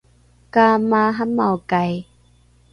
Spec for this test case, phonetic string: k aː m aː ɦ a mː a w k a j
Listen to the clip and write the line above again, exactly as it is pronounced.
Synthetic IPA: k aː m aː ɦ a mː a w k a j